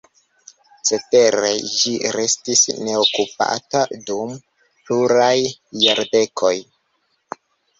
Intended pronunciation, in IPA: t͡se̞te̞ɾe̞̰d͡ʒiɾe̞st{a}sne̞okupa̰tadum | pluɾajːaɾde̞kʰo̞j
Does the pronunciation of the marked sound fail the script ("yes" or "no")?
yes